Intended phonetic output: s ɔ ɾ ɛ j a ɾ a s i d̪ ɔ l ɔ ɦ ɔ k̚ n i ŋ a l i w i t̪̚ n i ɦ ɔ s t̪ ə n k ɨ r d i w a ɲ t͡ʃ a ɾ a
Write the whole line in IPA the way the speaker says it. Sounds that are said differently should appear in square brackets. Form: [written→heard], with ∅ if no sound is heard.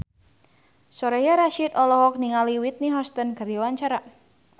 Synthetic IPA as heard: s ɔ ɾ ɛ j a ɾ a [s→ʃ] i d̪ ɔ l ɔ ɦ ɔ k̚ n i ŋ a l i w i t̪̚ n i ɦ ɔ s t̪ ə n k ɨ r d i w a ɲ t͡ʃ a ɾ a